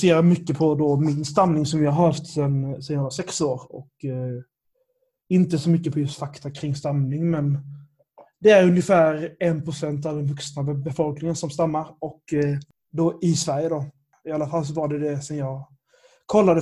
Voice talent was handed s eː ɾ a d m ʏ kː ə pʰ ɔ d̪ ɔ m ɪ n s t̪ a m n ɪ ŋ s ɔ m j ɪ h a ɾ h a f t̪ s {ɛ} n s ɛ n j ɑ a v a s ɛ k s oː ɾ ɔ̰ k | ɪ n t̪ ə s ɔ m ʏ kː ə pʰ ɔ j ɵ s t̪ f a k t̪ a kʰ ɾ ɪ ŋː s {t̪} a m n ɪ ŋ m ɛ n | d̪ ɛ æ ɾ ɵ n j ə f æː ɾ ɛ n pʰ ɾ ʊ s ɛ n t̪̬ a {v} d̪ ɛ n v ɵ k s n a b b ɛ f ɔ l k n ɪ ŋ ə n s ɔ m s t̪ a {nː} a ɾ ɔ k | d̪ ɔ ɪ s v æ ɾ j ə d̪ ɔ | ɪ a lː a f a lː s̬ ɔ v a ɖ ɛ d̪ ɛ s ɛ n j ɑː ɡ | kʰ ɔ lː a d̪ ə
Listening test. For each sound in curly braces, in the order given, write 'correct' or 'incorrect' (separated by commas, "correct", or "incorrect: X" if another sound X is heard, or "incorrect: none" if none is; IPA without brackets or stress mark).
correct, correct, correct, incorrect: mː